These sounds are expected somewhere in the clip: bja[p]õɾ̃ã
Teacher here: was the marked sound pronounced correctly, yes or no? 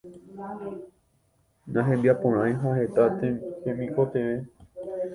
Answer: yes